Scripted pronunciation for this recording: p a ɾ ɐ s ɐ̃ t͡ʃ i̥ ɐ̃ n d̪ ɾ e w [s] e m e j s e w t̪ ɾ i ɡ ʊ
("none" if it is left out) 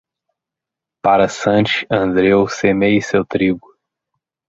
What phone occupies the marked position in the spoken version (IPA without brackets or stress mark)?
s